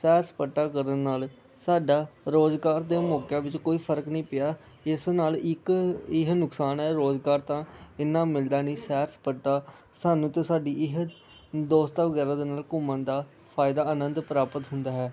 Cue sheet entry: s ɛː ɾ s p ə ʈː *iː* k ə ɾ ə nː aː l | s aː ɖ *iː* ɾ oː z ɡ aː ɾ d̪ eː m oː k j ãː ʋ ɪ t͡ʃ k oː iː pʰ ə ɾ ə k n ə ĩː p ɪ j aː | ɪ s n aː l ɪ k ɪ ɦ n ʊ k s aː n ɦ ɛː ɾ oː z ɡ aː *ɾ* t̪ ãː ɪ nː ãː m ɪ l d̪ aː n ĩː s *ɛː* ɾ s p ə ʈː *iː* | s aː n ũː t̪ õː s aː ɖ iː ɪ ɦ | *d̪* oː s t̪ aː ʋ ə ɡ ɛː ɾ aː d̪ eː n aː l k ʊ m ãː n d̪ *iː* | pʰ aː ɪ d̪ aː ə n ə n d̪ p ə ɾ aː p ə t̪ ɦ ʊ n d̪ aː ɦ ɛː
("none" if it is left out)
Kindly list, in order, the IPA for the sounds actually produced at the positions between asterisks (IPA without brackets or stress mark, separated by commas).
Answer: aː, aː, ɾ, ɛː, aː, d̪, aː